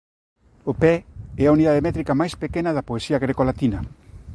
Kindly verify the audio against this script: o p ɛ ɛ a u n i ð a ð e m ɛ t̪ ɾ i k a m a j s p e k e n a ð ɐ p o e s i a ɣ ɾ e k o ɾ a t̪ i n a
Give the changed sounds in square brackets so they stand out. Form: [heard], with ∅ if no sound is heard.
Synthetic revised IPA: o p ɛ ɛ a u n i ð a ð e m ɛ t̪ ɾ i k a m a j s p e k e n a ð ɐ p o e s i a ɣ ɾ e k o [l] a t̪ i n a